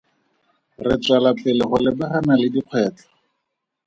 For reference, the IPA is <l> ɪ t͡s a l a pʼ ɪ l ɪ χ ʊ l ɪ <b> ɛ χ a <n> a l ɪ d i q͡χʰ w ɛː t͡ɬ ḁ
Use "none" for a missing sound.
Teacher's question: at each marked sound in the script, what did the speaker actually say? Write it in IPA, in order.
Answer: r, b, n

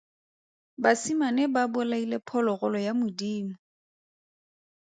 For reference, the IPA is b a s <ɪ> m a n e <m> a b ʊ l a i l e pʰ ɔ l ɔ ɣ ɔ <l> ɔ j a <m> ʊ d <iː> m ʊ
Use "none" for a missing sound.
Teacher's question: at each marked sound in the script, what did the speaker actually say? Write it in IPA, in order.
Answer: i, b, l, m, iː

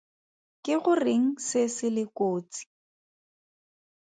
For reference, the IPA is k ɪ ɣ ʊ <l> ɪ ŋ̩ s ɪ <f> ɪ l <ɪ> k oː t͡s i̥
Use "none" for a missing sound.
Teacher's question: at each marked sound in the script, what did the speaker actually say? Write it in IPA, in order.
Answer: r, s, ɪ

